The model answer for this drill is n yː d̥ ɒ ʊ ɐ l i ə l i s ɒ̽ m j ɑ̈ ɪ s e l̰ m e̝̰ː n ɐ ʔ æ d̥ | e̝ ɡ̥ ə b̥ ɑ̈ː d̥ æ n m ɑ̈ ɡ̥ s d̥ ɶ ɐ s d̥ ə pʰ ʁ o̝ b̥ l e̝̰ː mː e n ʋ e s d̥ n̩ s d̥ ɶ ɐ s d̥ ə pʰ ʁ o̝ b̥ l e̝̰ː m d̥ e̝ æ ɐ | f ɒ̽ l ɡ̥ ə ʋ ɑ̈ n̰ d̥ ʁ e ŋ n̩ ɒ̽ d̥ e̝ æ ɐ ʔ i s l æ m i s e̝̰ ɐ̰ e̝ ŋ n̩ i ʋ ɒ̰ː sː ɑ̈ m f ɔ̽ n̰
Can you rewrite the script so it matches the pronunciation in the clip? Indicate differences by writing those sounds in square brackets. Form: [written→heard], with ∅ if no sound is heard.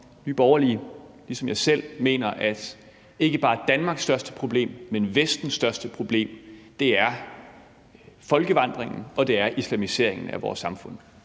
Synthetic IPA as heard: n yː [d̥→b̥] ɒ ʊ ɐ l i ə l i s ɒ̽ m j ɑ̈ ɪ s e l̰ m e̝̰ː n ɐ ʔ æ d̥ | e̝ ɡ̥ ə b̥ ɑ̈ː d̥ æ n m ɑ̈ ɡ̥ s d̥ ɶ ɐ s d̥ ə pʰ ʁ o̝ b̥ l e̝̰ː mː e n ʋ e s d̥ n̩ s d̥ ɶ ɐ s d̥ ə pʰ ʁ o̝ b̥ l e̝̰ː m d̥ e̝ æ ɐ | f ɒ̽ l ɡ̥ ə ʋ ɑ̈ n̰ d̥ ʁ e ŋ n̩ ɒ̽ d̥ e̝ æ ɐ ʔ i s l æ m i s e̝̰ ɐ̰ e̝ ŋ n̩ [i→æ] ʋ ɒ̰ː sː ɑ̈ m f ɔ̽ n̰

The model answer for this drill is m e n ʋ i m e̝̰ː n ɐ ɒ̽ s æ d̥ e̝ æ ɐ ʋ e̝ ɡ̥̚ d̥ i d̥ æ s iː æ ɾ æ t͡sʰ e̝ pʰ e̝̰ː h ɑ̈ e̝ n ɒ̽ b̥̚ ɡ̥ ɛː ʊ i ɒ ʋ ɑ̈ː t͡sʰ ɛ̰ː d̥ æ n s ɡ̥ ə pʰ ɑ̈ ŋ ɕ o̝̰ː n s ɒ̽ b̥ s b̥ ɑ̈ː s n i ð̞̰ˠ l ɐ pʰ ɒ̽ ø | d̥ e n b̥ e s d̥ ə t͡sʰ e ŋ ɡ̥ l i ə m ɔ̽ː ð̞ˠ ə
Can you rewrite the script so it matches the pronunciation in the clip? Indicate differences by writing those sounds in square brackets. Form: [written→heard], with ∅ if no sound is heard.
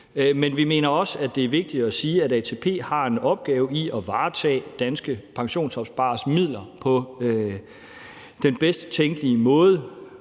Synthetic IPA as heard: m e n ʋ i m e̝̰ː n ɐ ɒ̽ s æ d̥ e̝ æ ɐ ʋ e̝ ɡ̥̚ d̥ i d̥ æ s iː æ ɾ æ t͡sʰ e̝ pʰ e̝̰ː h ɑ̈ e̝ n ɒ̽ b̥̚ ɡ̥ ɛː ʊ i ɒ ʋ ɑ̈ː t͡sʰ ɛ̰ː d̥ æ n s ɡ̥ ə pʰ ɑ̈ ŋ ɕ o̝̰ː n s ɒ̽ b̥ s b̥ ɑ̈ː s [n→m] i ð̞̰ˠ l ɐ pʰ ɒ̽ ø | d̥ e n b̥ e s d̥ ə t͡sʰ e ŋ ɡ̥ l i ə m ɔ̽ː ð̞ˠ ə

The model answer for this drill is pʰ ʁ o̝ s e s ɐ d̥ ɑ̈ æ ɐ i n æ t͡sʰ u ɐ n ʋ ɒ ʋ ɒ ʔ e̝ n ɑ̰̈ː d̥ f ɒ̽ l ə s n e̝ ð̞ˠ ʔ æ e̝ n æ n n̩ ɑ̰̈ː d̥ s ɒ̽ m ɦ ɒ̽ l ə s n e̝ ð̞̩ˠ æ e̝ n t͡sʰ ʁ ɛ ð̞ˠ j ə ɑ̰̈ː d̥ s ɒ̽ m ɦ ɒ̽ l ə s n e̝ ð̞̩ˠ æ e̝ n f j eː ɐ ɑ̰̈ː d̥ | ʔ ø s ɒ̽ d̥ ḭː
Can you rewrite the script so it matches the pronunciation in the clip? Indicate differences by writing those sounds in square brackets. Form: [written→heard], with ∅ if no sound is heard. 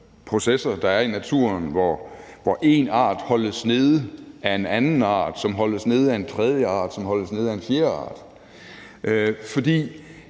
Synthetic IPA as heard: pʰ ʁ o̝ s e s ɐ d̥ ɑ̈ æ ɐ i n æ t͡sʰ u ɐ n ʋ ɒ ʋ ɒ ʔ e̝ n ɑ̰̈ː d̥ [f→h] ɒ̽ l ə s n e̝ ð̞ˠ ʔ æ e̝ n æ n n̩ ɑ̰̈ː d̥ s ɒ̽ m ɦ ɒ̽ l ə s n e̝ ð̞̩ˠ æ e̝ n t͡sʰ ʁ ɛ ð̞ˠ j ə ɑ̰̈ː d̥ s ɒ̽ m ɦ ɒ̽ l ə s n e̝ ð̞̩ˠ æ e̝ n f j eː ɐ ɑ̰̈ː d̥ | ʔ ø [s→f] ɒ̽ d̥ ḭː

